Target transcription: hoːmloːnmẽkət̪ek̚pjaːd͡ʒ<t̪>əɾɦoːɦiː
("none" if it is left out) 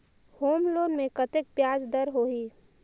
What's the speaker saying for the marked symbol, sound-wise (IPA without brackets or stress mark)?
d̪